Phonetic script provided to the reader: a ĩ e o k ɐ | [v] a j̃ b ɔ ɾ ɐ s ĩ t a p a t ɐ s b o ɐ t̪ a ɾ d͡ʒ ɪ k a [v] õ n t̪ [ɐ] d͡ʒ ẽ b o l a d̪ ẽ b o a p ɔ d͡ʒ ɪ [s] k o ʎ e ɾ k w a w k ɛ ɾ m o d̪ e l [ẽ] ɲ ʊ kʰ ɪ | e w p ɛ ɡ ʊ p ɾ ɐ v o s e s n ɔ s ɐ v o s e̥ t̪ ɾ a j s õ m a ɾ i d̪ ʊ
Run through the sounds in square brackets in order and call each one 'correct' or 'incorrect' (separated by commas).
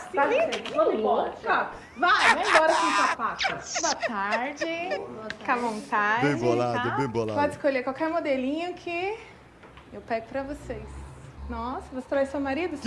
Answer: correct, correct, incorrect, correct, incorrect